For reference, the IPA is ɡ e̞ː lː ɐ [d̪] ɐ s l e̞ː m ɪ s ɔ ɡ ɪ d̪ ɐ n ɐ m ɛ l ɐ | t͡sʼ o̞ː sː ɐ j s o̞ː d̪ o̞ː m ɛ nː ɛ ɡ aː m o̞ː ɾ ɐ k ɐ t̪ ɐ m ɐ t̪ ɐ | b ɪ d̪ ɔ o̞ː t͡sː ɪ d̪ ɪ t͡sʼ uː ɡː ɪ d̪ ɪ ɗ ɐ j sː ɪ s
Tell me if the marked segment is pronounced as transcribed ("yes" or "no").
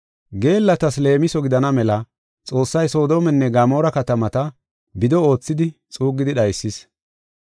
no